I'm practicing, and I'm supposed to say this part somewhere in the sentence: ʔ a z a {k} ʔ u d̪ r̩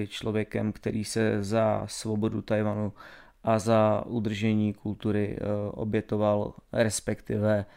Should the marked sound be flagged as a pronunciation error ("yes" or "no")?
yes